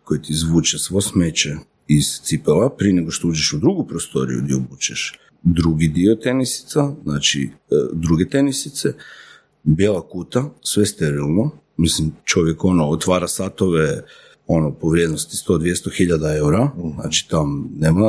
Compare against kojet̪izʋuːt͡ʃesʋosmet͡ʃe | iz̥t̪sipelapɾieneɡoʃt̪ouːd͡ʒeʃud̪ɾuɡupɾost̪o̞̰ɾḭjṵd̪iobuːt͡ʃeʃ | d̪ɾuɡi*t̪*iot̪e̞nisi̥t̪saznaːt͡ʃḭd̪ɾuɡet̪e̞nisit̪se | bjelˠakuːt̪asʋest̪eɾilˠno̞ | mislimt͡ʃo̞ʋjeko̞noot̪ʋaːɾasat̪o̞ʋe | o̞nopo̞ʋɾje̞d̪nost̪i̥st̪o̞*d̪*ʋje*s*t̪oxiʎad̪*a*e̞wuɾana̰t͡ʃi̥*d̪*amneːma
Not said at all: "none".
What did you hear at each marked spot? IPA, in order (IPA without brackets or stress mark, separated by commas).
d̪, d̪, s, a, t̪